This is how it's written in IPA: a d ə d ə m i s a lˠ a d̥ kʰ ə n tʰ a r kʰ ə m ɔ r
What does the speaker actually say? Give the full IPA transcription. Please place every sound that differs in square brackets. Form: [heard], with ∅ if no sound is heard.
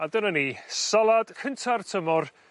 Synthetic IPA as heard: a d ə [n] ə [n] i s a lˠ a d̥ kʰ ə n tʰ a r [tʰ] ə m ɔ r